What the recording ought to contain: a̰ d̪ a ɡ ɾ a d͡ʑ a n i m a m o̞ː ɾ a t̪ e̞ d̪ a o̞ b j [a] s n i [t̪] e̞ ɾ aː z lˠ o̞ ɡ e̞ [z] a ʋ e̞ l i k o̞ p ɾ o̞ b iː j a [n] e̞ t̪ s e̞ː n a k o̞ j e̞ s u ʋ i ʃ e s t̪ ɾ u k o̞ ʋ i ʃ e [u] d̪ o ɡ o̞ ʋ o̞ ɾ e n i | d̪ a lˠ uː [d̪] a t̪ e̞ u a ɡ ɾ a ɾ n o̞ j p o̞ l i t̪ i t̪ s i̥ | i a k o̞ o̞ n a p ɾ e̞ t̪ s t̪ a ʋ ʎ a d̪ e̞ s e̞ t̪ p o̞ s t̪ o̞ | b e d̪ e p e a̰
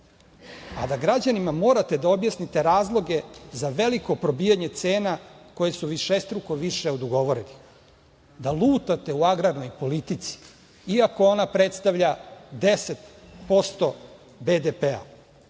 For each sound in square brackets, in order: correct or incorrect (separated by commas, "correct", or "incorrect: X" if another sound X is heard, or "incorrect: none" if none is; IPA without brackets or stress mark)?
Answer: correct, correct, correct, incorrect: ɲ, incorrect: o, incorrect: t̪